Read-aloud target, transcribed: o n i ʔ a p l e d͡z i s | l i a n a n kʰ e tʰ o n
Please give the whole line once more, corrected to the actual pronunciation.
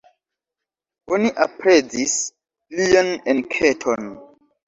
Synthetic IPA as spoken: o n i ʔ a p ɾ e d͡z i s | l i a n e n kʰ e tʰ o n